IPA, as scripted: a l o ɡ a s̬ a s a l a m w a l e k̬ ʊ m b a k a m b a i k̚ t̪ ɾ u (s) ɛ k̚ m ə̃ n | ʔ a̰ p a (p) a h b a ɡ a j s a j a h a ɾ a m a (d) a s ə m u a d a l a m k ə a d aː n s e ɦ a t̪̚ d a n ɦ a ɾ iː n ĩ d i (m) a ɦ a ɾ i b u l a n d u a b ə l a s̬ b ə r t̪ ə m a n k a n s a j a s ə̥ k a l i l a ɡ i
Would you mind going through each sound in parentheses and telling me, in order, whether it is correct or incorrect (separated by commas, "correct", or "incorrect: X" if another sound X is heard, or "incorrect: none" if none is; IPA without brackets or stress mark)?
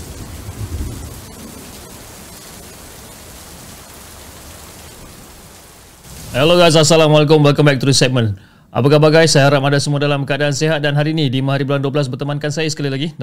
correct, incorrect: k, correct, correct